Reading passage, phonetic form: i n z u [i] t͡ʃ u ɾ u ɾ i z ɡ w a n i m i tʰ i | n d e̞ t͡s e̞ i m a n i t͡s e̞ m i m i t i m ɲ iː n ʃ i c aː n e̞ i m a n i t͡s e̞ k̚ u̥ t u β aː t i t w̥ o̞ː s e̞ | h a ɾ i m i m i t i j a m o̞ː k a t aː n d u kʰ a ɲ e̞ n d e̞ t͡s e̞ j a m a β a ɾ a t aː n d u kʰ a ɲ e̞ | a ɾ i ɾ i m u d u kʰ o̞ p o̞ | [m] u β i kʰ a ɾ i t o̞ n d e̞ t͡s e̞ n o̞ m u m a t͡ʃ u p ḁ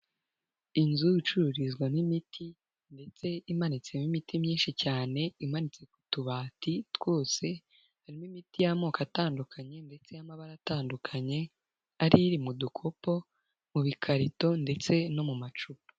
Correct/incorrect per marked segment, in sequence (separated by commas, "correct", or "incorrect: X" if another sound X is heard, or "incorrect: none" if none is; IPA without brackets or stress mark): correct, correct